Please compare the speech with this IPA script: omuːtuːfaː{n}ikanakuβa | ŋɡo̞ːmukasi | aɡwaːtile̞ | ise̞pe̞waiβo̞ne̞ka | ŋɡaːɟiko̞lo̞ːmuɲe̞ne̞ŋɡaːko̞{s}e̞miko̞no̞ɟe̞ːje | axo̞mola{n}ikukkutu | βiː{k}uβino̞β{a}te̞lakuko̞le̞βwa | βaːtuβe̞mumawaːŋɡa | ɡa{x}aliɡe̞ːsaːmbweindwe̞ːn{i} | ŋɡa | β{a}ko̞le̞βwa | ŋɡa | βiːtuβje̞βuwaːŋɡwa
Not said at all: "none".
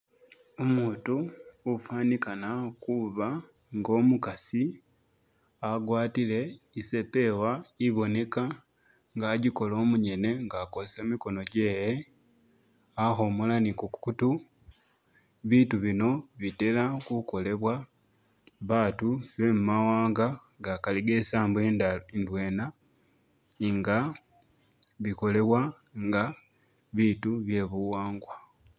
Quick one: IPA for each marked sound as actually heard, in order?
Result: n, s, n, t, i, k, a, i

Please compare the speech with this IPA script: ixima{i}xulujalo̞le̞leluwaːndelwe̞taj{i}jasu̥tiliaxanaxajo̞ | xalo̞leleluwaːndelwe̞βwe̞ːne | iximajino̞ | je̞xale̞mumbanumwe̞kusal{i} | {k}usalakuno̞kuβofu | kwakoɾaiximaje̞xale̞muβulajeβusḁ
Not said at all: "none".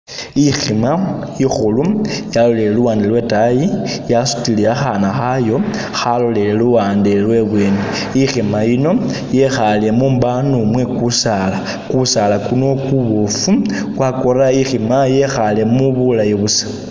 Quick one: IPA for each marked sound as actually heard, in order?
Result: i, i, a, k

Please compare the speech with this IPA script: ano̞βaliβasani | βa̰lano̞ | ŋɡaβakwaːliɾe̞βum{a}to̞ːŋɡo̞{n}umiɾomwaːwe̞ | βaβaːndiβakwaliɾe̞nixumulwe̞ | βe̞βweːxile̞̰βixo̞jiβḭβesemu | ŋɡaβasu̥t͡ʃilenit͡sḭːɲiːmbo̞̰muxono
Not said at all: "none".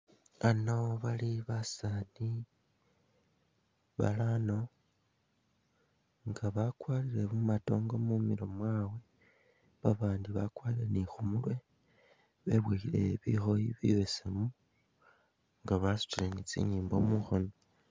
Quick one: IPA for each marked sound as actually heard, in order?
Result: a, m

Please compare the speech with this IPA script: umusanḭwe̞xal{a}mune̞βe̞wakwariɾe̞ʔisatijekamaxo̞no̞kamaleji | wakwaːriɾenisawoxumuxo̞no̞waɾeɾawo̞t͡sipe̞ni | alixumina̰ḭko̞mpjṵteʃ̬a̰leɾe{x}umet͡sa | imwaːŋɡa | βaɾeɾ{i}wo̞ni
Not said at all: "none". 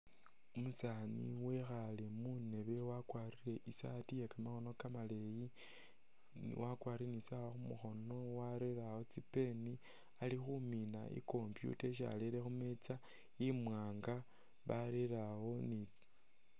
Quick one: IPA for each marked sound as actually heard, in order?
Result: e, x, a

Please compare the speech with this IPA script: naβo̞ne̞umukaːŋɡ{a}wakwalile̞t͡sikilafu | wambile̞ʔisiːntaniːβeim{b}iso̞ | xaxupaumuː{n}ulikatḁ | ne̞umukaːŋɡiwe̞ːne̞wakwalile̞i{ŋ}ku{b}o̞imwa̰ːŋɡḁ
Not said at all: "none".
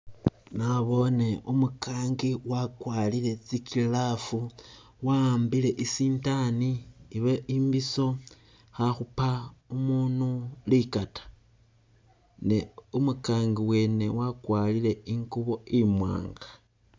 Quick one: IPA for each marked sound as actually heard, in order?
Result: i, b, n, ŋ, β

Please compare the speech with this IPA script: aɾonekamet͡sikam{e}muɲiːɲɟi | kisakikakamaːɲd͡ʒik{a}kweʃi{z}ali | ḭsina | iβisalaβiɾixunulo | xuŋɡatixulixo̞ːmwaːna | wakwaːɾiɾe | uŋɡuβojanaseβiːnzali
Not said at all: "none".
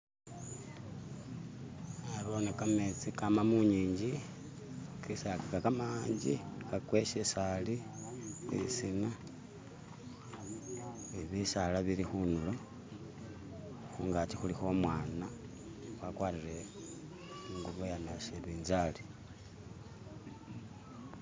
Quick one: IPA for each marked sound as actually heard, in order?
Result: a, a, s

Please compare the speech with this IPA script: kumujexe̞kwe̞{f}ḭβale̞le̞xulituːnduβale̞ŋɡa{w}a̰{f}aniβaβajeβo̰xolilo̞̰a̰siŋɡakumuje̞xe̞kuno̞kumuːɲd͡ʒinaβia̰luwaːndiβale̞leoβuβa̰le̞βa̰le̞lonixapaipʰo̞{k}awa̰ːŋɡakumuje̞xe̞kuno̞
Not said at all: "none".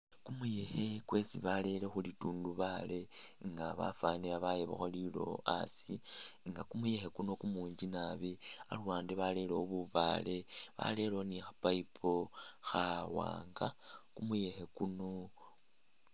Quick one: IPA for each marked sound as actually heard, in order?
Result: s, β, f, x

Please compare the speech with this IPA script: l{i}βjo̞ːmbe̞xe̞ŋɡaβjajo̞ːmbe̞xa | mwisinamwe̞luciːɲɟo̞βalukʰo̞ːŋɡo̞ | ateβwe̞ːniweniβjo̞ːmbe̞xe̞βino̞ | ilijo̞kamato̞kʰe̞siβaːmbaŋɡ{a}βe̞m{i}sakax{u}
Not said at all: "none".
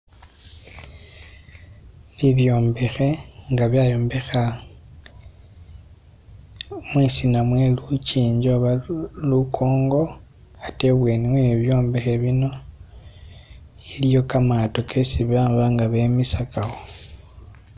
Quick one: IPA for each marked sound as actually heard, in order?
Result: i, a, i, o

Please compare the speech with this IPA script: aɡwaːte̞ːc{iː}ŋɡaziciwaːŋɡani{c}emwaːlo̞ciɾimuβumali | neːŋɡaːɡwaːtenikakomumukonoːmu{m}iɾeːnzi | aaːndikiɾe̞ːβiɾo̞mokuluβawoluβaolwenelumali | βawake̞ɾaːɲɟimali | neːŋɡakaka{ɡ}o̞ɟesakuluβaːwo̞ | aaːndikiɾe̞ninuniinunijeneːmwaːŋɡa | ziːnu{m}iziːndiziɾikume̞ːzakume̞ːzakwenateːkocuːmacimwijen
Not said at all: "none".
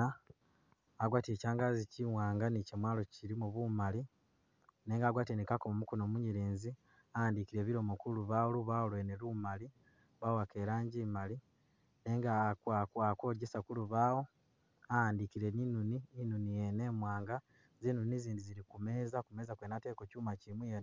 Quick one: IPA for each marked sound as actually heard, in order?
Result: aː, c, ɲ, k, n

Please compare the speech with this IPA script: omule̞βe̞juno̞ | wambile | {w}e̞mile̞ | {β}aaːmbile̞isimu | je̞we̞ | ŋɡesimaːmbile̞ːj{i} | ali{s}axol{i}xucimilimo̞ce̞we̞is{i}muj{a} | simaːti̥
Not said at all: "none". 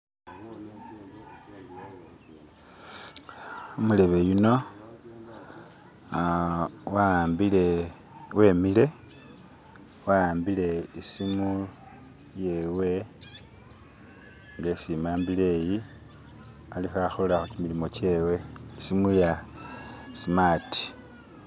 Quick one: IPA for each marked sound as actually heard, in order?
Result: w, w, i, x, a, i, a

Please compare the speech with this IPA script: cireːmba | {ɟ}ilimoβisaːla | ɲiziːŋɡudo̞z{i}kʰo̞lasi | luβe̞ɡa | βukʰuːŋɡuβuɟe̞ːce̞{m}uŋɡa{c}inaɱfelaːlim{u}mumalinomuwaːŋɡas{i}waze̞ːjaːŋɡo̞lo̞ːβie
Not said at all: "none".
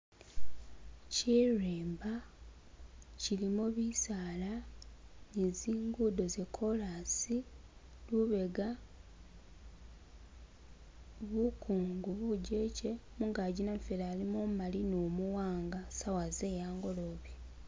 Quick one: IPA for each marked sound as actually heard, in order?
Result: c, e, m, ɟ, o, a

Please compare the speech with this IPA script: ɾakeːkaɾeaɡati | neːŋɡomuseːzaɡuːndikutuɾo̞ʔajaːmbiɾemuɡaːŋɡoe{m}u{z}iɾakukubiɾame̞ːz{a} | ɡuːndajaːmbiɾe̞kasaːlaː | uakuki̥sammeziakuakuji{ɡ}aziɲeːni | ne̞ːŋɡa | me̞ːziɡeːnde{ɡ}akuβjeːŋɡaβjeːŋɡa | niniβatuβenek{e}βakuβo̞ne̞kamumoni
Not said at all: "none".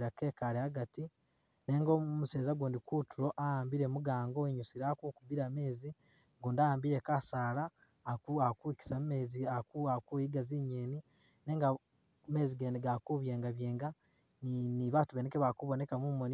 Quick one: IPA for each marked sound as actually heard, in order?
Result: ɲ, s, i, ɡ, ɡ, e

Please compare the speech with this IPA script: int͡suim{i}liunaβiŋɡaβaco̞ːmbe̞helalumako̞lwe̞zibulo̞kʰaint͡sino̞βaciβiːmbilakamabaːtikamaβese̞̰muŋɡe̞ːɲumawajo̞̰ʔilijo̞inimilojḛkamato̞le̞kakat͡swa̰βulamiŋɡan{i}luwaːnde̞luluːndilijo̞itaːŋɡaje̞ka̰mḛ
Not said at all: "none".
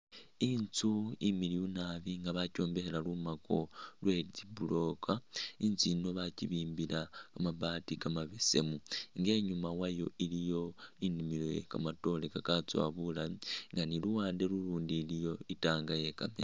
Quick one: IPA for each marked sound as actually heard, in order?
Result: i, i

